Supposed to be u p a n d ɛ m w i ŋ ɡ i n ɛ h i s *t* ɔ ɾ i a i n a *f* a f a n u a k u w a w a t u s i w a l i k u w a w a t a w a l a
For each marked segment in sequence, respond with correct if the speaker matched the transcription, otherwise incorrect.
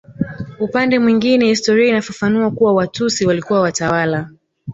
correct, correct

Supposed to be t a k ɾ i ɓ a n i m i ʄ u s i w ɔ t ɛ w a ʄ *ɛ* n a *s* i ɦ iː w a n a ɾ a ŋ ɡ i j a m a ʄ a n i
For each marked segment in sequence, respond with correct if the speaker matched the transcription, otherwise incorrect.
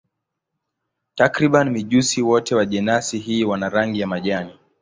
correct, correct

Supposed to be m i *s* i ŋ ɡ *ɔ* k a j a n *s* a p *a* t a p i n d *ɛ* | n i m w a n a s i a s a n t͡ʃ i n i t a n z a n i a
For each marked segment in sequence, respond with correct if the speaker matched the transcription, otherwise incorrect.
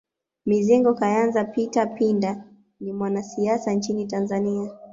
incorrect: z, correct, incorrect: z, incorrect: i, incorrect: a

